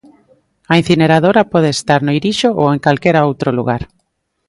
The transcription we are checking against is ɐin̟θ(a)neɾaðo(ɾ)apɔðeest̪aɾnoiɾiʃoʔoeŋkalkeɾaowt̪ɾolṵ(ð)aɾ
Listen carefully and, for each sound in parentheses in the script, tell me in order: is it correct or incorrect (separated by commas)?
incorrect, correct, incorrect